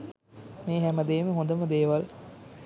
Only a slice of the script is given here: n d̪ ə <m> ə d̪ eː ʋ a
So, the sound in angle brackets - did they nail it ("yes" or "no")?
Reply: yes